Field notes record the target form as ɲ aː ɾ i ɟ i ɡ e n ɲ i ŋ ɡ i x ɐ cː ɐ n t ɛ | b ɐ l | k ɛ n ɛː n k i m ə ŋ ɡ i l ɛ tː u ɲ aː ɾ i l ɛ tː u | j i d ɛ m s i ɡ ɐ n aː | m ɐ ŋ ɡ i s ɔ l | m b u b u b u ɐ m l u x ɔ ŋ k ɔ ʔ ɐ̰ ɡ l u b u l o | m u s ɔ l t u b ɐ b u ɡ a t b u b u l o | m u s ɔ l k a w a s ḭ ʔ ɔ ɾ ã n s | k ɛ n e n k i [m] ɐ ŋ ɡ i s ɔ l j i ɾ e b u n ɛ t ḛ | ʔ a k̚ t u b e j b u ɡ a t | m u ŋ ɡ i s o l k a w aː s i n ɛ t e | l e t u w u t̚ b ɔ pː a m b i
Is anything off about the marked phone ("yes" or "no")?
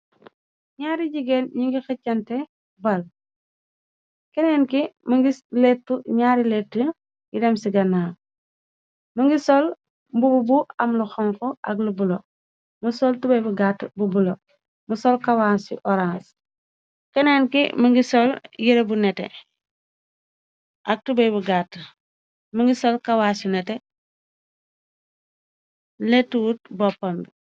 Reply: no